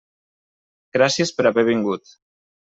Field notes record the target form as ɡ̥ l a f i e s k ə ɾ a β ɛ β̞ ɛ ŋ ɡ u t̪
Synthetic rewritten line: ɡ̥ ɾ a s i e s p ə ɾ a β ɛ β̞ i ŋ ɡ u t̪